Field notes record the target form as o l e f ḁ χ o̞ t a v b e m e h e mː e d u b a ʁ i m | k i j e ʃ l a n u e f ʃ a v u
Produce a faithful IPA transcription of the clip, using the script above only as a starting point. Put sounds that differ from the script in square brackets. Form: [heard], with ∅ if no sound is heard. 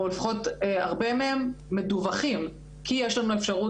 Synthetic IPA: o l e f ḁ χ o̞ t a [ʁ] b e m e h e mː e d u [v] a [χ] i m | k i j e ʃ l a n u e f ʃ a [ʁ] u